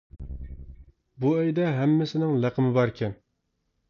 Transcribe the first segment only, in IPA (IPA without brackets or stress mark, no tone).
b